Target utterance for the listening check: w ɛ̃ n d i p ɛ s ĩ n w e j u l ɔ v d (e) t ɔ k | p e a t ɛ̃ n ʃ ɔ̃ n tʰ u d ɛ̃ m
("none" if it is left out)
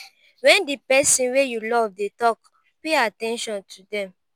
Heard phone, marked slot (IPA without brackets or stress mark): e